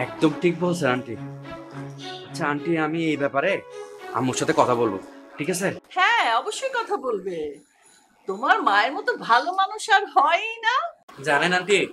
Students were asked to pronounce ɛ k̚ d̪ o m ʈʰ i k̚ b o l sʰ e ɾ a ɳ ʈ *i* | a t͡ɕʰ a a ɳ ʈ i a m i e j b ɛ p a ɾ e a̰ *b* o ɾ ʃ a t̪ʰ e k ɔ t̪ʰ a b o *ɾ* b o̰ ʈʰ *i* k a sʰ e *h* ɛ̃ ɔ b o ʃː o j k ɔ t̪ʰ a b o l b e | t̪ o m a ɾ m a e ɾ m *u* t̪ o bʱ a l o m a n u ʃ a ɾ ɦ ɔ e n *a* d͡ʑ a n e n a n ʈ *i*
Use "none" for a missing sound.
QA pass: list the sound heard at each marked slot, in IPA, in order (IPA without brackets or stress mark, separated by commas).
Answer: i, m, l, i, h, ɔ, a, i